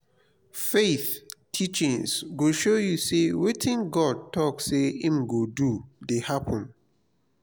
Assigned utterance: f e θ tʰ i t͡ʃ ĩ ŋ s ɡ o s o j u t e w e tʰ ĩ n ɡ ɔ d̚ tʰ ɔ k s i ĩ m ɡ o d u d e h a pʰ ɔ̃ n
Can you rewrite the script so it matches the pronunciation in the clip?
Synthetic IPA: f e θ tʰ i t͡ʃ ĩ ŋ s ɡ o ʃ o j u s e w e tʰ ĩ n ɡ ɔ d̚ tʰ ɔ k s e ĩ m ɡ o d u d e h a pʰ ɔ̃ n